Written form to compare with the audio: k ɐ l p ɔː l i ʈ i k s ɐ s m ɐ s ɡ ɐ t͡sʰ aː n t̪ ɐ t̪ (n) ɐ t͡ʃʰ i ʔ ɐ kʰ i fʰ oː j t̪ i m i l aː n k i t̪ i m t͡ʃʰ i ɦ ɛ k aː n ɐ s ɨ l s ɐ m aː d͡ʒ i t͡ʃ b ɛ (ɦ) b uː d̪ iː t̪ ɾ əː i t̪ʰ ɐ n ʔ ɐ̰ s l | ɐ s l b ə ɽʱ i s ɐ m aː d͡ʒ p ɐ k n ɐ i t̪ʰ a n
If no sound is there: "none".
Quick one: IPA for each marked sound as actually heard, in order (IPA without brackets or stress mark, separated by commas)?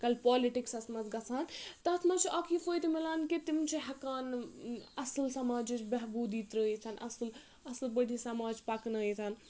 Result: m, ɦ